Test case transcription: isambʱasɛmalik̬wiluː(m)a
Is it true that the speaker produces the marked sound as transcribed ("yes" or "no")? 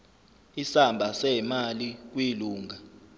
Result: no